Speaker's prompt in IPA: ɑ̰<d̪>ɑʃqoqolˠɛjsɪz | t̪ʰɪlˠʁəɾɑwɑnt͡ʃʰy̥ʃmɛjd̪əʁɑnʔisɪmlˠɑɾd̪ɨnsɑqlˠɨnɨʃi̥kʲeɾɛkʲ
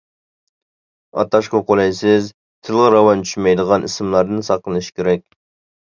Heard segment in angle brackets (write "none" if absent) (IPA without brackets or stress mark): t̪